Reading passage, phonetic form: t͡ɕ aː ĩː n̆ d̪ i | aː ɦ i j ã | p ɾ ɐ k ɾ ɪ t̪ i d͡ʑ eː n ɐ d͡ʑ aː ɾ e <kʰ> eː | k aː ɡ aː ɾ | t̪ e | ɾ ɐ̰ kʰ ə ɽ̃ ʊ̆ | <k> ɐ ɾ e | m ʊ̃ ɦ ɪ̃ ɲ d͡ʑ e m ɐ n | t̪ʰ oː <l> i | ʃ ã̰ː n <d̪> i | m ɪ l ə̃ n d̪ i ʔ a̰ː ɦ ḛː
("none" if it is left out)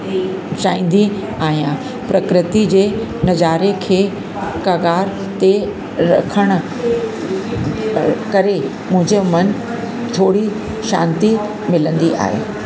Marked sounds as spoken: kʰ, k, ɽ, t̪

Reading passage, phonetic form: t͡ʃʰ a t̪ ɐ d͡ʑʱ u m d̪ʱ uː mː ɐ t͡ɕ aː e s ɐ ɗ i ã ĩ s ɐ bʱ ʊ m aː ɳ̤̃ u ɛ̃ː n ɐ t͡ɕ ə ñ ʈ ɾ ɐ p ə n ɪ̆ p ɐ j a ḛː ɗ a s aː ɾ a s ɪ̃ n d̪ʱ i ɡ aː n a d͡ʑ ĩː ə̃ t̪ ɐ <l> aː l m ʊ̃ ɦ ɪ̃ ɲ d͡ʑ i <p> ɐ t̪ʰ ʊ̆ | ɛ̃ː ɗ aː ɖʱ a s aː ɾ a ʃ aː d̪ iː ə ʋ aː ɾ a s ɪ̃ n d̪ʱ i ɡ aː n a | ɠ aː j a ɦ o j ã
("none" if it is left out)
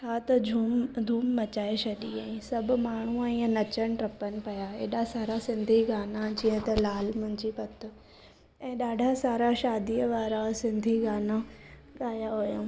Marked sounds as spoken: l, p

